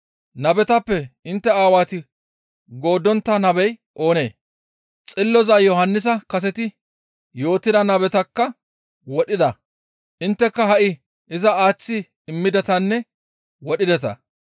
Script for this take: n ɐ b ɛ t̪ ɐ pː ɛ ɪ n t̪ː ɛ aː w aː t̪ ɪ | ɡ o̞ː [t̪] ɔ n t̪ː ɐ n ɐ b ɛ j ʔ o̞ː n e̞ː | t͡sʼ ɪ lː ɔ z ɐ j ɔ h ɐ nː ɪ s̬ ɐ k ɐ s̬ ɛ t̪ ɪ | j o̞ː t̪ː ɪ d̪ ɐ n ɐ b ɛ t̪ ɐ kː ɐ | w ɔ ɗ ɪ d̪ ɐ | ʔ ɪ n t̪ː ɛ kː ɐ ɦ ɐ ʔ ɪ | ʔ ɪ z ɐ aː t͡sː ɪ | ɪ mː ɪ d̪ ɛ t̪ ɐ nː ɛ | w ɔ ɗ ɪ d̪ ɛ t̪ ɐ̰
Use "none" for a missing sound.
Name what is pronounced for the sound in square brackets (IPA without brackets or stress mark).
d̪